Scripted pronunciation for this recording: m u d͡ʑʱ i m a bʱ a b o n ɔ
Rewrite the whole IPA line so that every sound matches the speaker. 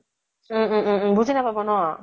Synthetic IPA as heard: b u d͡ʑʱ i n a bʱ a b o n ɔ